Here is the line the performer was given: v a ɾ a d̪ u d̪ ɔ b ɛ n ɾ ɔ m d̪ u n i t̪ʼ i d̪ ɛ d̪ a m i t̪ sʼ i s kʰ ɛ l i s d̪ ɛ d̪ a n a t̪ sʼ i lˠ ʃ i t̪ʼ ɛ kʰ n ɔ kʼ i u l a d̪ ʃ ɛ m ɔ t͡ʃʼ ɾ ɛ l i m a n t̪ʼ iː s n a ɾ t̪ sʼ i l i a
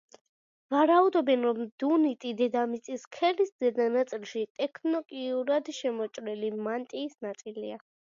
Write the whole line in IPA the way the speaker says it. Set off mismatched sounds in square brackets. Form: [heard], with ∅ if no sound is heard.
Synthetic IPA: v a ɾ a [∅] u d̪ ɔ b ɛ n ɾ ɔ m d̪ u n i t̪ʼ i d̪ ɛ d̪ a m i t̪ sʼ i s kʰ ɛ l i s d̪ ɛ d̪ a n a t̪ sʼ i lˠ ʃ i t̪ʼ ɛ kʰ n ɔ kʼ i u [ɾ] a d̪ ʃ ɛ m ɔ t͡ʃʼ ɾ ɛ l i m a n t̪ʼ iː s n a [∅] t̪ sʼ i l i a